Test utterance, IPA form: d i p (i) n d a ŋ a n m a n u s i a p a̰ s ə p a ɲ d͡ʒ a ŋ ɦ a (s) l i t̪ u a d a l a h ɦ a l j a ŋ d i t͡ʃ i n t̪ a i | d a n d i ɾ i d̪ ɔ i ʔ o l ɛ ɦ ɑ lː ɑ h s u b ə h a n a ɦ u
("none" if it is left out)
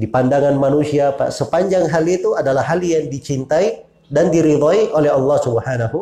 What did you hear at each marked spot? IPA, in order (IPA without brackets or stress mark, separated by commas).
a, none